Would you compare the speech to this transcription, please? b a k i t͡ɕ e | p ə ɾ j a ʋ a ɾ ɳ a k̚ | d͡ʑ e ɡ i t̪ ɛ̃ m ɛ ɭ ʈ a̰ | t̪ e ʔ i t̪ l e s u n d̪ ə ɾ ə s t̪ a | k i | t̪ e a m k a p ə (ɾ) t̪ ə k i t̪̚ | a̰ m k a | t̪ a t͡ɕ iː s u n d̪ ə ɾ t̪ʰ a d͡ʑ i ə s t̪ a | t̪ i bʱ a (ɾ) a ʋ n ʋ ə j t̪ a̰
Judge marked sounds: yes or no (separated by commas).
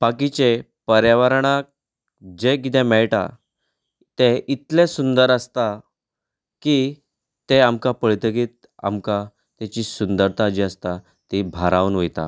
no, yes